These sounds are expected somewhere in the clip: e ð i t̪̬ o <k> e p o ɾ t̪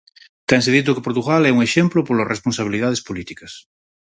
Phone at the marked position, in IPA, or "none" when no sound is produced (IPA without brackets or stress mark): k